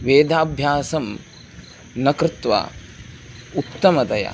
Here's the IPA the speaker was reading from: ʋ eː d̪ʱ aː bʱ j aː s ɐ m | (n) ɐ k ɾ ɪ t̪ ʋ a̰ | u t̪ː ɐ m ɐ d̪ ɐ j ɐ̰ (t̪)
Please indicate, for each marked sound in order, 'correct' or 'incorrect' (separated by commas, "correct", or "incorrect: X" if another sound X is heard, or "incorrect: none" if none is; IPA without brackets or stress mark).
correct, incorrect: none